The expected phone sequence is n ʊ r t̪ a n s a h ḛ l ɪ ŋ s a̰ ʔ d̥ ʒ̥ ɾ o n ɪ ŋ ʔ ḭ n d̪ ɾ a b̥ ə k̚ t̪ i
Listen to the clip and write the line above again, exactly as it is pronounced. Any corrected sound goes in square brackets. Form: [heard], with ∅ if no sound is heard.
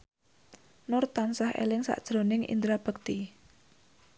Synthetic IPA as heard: n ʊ r t̪ a n s a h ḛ l ɪ ŋ s a̰ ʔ d̥ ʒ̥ ɾ o n ɪ ŋ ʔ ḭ n d̪ ɾ a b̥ ə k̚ t̪ i

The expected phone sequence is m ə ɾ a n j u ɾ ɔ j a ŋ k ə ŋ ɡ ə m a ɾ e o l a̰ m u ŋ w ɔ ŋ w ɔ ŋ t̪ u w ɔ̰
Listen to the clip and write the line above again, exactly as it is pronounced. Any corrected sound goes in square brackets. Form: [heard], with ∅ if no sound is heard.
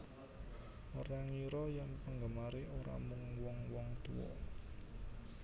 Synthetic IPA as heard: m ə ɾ a [ŋ] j u ɾ ɔ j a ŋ [p] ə ŋ ɡ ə m a ɾ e o [ɾ] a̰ m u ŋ w ɔ ŋ w ɔ ŋ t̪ u w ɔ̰

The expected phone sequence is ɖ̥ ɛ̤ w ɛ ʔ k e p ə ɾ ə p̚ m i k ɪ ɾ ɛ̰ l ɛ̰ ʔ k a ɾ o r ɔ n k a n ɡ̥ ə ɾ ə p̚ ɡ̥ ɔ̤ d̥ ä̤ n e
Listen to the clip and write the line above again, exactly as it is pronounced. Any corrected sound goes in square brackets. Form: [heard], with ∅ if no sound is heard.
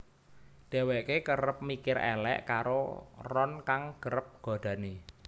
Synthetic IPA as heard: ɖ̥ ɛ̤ w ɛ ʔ k e [k] ə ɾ ə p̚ m i k ɪ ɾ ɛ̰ l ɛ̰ ʔ k a ɾ o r ɔ n k a [ŋ] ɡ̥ ə ɾ ə p̚ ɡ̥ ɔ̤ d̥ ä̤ n e

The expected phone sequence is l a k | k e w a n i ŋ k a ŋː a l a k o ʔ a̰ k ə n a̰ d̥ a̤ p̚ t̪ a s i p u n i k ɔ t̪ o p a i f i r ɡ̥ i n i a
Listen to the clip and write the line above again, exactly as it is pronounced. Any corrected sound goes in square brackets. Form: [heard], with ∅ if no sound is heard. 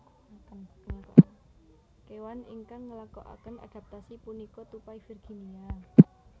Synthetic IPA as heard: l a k | k e w a n i ŋ k a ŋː [ə] l a k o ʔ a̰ k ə n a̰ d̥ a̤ p̚ t̪ a s i p u n i k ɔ t̪ [u] p a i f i r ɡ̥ i n i a

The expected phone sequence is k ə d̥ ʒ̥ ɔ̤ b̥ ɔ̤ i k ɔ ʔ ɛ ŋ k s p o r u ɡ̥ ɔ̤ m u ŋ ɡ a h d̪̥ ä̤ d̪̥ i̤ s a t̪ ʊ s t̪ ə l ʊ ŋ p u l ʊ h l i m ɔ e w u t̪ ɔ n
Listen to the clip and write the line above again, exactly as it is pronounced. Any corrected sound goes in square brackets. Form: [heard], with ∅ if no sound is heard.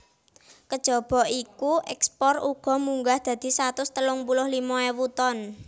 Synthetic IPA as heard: k ə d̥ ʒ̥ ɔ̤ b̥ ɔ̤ i k [u] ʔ ɛ [∅] k s p [ɔ] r u ɡ̥ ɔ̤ m u ŋ ɡ a h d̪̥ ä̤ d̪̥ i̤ s a t̪ ʊ s t̪ ə l ʊ ŋ p u l ʊ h l i m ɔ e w u t̪ ɔ n

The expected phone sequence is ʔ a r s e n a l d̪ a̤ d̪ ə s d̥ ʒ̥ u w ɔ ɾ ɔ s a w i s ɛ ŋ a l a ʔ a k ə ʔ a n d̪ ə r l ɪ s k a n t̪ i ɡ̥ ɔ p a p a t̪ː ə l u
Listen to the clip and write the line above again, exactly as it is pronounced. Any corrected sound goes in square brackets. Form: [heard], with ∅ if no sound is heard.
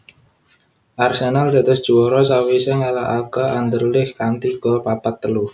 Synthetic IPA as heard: ʔ a r s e n a l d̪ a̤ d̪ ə s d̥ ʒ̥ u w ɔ ɾ ɔ s a w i s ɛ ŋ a l a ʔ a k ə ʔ a n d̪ ə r l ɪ [h] k a n t̪ i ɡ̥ ɔ p a p a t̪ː ə l u

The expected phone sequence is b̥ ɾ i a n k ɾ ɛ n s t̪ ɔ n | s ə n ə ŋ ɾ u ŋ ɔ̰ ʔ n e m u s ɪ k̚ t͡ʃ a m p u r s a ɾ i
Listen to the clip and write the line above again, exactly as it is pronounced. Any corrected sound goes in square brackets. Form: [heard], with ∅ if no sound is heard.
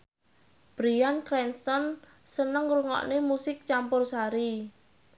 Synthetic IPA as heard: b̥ ɾ i a n k ɾ ɛ n s t̪ ɔ n | s ə n ə ŋ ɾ u ŋ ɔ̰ ʔ n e m u s ɪ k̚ t͡ʃ a m p [ʊ] r s a ɾ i

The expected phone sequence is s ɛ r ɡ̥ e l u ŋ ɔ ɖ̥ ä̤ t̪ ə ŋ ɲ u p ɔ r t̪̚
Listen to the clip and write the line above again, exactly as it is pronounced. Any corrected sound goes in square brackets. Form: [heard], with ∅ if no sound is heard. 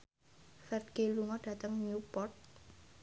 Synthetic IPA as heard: [f] ɛ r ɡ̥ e l u ŋ ɔ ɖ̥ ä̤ t̪ ə ŋ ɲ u p ɔ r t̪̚

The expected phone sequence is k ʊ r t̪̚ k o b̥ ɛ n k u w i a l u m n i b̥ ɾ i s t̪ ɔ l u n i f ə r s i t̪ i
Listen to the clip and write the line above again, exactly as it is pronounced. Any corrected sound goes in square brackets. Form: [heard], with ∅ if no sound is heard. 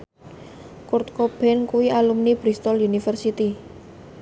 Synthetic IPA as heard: k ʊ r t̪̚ k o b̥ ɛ n k u w i a l u m n i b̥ ɾ i s t̪ ɔ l u n i f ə r s i t̪ i

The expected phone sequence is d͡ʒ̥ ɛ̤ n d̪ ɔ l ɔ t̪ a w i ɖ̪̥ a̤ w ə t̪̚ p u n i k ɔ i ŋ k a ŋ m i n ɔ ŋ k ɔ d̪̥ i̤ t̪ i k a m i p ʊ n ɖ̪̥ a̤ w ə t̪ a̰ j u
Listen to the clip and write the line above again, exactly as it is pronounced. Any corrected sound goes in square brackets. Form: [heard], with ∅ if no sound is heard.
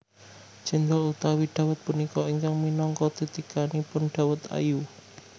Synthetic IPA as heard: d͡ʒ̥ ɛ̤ n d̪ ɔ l [u] t̪ a w i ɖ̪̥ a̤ w ə t̪̚ p u n i k ɔ i ŋ k a ŋ m i n ɔ ŋ k ɔ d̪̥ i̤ t̪ i k a [n] i p ʊ n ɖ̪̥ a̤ w ə t̪ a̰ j u

